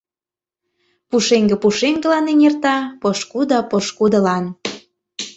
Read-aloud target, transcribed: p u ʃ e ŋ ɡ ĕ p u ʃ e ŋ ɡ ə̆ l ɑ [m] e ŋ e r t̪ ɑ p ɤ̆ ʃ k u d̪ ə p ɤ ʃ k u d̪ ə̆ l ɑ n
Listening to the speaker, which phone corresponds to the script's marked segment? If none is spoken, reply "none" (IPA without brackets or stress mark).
n